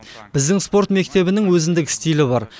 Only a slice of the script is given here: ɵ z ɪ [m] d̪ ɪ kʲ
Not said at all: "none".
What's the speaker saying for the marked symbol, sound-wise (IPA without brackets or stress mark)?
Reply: n